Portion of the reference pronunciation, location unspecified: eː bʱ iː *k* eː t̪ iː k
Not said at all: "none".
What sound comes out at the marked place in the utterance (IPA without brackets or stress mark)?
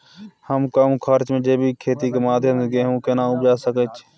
kʰ